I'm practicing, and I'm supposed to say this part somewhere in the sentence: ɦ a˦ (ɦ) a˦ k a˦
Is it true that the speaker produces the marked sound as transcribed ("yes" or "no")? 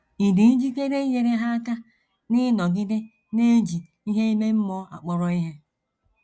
no